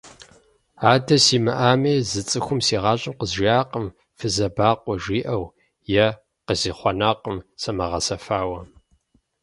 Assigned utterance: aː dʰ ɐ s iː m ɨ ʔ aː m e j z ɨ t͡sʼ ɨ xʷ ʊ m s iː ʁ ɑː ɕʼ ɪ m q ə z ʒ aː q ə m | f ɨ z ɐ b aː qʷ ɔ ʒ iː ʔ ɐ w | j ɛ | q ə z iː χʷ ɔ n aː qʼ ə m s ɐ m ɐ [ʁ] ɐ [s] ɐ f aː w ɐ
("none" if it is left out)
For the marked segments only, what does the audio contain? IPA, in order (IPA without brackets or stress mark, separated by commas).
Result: ʁ, s